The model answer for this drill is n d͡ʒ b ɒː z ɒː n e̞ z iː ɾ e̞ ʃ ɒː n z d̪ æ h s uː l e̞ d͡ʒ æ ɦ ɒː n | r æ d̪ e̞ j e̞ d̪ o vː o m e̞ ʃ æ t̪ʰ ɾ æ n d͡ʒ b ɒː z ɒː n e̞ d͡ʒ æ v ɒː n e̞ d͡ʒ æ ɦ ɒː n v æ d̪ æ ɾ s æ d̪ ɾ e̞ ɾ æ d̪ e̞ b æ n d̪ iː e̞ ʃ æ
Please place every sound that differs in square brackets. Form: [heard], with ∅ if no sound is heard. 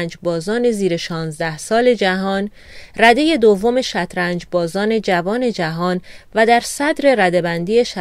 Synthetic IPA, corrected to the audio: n d͡ʒ b ɒː z ɒː n e̞ z iː ɾ e̞ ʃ ɒː n z d̪ æ h s [ɒː] l e̞ d͡ʒ æ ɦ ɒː n | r æ d̪ e̞ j e̞ d̪ o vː o m e̞ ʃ æ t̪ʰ ɾ æ n d͡ʒ b ɒː z ɒː n e̞ d͡ʒ æ v ɒː n e̞ d͡ʒ æ ɦ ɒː n v æ d̪ æ ɾ s æ d̪ ɾ e̞ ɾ æ d̪ e̞ b æ n d̪ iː e̞ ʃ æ